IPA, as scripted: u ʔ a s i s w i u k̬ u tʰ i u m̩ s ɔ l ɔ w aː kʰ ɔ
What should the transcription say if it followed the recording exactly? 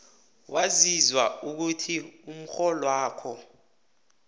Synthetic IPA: w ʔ a z i z w a u k̬ u tʰ i u m̩ x ɔ l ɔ w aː kʰ ɔ